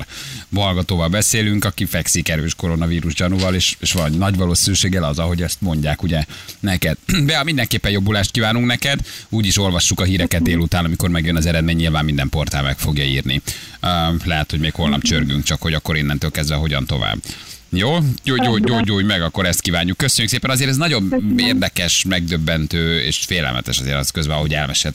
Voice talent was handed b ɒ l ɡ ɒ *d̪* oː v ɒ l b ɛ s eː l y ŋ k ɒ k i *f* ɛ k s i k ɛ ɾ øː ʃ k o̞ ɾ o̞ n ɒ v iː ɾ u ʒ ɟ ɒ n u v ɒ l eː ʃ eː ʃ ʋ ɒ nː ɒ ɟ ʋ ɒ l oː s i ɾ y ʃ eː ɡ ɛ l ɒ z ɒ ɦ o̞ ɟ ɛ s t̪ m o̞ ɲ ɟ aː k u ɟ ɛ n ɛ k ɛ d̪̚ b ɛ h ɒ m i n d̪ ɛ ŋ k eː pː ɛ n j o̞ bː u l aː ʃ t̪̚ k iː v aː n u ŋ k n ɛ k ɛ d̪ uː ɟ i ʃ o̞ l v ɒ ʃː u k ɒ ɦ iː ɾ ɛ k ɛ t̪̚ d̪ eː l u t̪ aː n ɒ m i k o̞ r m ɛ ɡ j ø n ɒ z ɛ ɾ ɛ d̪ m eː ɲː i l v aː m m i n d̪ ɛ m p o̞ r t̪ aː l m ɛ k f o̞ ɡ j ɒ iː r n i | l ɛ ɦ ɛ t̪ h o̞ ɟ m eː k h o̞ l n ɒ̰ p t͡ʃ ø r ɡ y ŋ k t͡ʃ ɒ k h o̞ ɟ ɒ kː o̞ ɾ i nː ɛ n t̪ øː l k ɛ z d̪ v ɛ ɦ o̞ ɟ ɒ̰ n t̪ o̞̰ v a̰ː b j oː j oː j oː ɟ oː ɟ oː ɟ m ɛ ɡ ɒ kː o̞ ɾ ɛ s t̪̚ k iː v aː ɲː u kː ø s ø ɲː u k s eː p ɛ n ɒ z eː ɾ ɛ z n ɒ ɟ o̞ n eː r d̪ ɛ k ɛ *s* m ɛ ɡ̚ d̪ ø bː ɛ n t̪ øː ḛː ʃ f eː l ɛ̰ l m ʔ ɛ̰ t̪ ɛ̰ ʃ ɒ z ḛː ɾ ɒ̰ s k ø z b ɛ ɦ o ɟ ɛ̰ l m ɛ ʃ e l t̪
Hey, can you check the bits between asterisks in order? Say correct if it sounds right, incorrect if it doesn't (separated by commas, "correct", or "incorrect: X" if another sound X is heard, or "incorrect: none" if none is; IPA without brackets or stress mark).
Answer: incorrect: t̪, correct, incorrect: ʃ